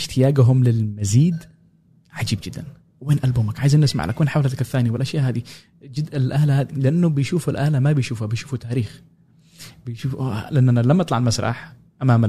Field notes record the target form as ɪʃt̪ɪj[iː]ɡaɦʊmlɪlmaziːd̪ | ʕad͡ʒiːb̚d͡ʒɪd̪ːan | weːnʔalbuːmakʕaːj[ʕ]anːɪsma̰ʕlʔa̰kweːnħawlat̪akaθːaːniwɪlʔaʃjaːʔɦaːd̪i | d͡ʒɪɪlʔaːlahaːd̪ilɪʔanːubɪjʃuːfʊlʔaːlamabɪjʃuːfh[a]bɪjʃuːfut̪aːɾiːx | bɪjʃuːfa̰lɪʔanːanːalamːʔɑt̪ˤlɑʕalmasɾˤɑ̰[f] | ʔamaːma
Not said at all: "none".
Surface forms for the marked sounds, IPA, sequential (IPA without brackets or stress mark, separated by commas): aː, z, a, ħ